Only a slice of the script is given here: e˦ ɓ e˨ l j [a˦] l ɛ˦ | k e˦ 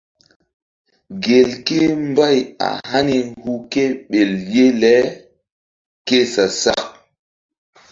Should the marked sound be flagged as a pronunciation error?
yes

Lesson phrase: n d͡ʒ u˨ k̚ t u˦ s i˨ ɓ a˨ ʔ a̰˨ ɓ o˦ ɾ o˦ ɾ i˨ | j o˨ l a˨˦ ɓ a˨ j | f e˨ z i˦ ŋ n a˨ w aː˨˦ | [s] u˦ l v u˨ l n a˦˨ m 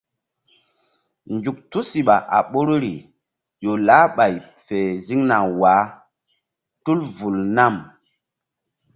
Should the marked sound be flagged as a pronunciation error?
yes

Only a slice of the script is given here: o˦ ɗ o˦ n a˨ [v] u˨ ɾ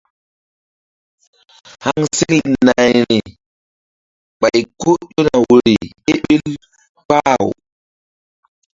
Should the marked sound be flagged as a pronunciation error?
yes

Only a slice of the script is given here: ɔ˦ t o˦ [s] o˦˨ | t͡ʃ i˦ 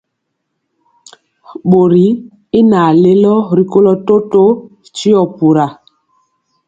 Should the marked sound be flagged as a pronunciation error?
yes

